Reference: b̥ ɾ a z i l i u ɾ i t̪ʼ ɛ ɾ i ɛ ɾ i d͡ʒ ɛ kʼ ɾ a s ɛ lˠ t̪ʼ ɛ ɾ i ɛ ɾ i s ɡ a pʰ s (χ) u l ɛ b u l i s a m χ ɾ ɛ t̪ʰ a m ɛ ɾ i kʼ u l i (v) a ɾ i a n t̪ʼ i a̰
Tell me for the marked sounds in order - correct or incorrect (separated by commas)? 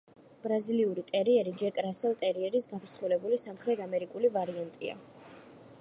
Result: correct, correct